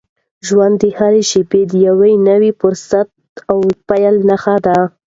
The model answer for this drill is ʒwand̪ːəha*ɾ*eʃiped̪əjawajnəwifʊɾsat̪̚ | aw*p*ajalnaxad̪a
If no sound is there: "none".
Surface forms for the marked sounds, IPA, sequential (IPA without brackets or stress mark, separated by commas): ɾ, p